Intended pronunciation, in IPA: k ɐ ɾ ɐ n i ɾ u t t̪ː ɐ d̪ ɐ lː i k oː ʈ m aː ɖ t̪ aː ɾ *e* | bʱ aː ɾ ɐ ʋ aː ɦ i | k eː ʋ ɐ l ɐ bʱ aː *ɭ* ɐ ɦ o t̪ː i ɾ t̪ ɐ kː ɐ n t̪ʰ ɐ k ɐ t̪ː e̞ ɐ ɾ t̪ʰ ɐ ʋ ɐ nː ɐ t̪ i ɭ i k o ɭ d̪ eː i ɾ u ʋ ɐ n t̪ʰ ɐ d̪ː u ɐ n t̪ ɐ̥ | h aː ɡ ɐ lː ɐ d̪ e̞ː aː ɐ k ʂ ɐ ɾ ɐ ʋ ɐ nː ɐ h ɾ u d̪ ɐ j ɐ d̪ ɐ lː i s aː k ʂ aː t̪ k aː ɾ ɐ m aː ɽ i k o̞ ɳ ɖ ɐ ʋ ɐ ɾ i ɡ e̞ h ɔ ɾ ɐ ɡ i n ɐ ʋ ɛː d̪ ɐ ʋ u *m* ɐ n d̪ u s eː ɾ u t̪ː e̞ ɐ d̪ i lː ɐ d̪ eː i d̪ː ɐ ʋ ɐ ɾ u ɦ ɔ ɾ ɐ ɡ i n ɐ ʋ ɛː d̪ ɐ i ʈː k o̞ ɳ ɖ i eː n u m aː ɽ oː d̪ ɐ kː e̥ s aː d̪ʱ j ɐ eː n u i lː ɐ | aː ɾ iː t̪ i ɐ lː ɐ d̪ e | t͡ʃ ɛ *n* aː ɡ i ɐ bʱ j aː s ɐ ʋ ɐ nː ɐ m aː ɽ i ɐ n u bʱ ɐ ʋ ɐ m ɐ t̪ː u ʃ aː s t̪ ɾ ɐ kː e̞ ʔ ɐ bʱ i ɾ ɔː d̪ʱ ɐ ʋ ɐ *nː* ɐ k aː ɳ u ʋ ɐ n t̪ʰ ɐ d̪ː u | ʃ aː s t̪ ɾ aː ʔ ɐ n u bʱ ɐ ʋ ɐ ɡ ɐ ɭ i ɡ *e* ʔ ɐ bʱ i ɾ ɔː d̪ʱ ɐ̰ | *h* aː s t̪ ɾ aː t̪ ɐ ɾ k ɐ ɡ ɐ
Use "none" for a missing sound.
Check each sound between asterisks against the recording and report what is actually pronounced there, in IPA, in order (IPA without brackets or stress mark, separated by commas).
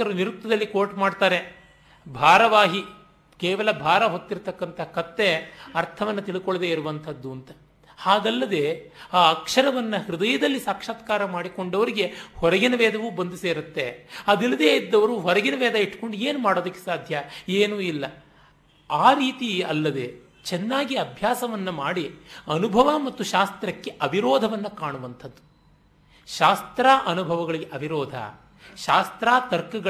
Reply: e, ɾ, b, nː, nː, e, ʃ